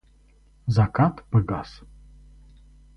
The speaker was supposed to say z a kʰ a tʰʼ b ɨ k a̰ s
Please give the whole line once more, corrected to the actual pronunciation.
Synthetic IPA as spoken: z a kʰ a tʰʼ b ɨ ɡ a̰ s